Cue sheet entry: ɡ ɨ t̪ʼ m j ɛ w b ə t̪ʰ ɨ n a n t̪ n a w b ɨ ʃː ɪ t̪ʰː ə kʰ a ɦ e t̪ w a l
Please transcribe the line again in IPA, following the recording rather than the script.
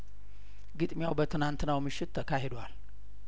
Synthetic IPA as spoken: ɡ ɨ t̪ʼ m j a w b ə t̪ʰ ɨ n a n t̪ n a w m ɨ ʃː ɪ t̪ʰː ə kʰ a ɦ e d̪ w a l

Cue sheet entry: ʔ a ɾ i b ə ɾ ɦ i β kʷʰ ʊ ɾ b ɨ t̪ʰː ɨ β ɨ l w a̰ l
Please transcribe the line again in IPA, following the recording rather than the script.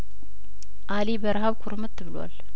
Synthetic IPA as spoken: ʔ a l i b ə ɾ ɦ a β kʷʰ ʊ ɾ m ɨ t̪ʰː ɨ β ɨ l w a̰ l

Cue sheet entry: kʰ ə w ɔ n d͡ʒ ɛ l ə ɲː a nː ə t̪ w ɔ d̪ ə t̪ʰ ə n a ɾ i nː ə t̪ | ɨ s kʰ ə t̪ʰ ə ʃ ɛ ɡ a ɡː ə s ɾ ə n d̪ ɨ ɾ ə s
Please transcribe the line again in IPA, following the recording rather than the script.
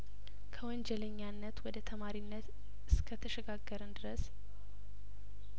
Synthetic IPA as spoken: kʰ ə w ɔ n d͡ʒ ɛ l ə ɲː a nː ə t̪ w ɔ d̪ ə t̪ʰ ə m a ɾ i nː ə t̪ | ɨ s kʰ ə t̪ʰ ə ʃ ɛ ɡ a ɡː ə ɾ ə n d̪ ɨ ɾ ə s

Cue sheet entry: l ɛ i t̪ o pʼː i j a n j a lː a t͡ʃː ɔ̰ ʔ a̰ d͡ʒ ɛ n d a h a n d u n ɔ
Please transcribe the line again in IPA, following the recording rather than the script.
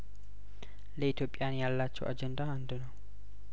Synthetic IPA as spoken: l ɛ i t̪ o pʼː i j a n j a lː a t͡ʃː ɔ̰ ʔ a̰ d͡ʒ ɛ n d a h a n d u n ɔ

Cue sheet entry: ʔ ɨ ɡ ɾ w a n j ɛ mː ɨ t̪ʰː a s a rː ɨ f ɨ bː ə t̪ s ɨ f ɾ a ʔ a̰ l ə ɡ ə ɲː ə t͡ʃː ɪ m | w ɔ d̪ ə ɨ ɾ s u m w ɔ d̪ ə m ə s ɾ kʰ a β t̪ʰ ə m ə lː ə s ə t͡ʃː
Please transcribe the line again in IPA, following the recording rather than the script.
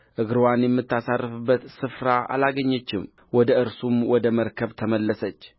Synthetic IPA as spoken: ʔ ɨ ɡ ɾ w a n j ɛ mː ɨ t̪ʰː a s a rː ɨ f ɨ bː ə t̪ s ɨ f ɾ a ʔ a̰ l a ɡ ə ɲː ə t͡ʃː ɪ m | w ɔ d̪ ə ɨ ɾ s u m w ɔ d̪ ə m ə ɾ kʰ ə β t̪ʰ ə m ə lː ə s ə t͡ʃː

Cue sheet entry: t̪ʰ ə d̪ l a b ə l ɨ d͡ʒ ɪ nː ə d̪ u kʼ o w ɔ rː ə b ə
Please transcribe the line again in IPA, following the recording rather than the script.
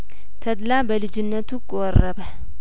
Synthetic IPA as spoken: t̪ʰ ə d̪ l a b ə l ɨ d͡ʒ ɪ nː ə t̪ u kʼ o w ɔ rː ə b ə

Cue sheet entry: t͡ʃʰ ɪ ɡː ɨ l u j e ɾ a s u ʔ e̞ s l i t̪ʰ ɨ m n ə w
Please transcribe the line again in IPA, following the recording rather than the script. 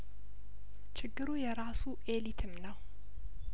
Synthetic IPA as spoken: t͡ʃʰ ɪ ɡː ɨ ɾ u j ɛ ɾ a s u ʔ e̞ l i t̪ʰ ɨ m n ə w

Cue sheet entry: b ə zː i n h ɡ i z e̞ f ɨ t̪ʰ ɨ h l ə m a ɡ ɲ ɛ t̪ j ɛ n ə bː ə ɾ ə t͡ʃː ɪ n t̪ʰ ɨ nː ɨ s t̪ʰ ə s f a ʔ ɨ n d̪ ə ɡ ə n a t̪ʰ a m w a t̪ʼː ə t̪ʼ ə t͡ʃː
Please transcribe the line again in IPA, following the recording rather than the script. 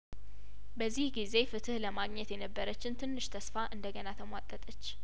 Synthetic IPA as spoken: b ə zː i h ɡ i z e̞ f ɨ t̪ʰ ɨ h l ə m a ɡ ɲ ɛ t̪ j ɛ n ə bː ə ɾ ə t͡ʃː ɪ n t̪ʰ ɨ nː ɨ ʃ t̪ʰ ə s f a ʔ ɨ n d̪ ə ɡ ə n a t̪ʰ ə m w a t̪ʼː ə t̪ʼ ə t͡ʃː

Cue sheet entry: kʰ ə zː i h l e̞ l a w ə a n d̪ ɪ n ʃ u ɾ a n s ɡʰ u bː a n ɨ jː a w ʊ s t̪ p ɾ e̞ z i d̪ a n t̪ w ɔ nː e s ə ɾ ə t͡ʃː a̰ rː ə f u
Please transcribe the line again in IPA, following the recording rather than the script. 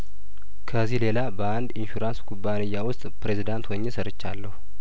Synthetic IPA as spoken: kʰ ə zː i h l e̞ l a b ə a n d̪ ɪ n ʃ u ɾ a n s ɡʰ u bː a n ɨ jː a w ʊ s t̪ʼ p ɾ e̞ z i d̪ a n t̪ w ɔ ɲː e s ə ɾ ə t͡ʃː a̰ lː ə h u

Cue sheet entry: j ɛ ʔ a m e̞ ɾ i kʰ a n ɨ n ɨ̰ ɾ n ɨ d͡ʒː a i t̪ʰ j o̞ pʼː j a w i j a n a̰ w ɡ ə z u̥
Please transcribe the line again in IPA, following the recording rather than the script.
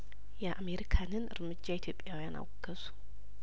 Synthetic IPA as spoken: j ɛ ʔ a m e̞ ɾ i kʰ a n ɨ n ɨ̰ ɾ m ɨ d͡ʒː a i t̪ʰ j o̞ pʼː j a w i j a n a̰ w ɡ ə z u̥

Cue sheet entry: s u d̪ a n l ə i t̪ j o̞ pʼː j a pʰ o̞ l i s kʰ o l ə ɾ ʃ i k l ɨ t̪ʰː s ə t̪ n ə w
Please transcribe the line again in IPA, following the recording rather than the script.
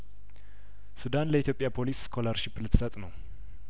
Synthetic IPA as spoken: s u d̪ a n l ə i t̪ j o̞ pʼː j a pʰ o̞ l i s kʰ o l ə ɾ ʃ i p l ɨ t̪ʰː s ə t̪ʼ n ə w

